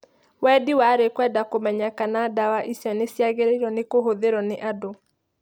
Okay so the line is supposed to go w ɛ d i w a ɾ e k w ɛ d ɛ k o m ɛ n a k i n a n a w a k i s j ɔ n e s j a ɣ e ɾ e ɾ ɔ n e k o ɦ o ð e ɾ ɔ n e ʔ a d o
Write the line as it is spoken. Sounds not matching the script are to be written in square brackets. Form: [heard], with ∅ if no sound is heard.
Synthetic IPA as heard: w ɛ d i w a ɾ e k w ɛ d [a] k o m ɛ [ɲ] a k [a] n a [d] a w a [ʔ] i s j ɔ n e s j a ɣ e ɾ e ɾ ɔ n e k o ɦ o ð e ɾ ɔ n e ʔ a d o